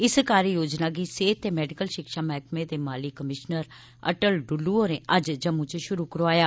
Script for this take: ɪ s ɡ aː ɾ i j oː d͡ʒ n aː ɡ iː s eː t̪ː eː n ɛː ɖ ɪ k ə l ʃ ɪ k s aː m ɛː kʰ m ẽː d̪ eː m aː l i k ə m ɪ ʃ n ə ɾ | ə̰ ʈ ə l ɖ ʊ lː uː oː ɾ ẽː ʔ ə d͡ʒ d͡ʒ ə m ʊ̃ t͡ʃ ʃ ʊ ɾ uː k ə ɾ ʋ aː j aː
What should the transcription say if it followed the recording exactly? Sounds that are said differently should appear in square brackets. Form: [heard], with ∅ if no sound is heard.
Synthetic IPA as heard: ɪ s [k] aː ɾ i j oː d͡ʒ n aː ɡ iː s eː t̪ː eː [m] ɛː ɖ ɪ k ə l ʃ ɪ k [ʃ] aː m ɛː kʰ m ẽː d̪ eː m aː l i k ə m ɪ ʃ n ə ɾ | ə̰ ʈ ə l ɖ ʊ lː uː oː ɾ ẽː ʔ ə d͡ʒ d͡ʒ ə m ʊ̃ t͡ʃ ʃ ʊ ɾ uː k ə ɾ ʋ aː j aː